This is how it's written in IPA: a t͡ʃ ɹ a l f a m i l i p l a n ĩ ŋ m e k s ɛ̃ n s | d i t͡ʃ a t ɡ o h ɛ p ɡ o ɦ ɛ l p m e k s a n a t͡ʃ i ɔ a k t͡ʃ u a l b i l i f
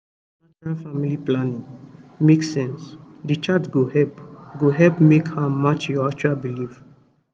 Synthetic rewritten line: a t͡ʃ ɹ a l f a m i l i p l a n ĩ ŋ m e k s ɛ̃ n s | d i t͡ʃ a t ɡ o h ɛ p ɡ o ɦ ɛ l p m e k h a m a t͡ʃ j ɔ a k t͡ʃ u a l b i l i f